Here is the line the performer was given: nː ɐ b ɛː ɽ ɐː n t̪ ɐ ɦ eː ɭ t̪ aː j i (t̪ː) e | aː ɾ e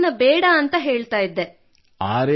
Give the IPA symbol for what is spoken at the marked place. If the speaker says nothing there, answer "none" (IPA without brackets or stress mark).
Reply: d̪ː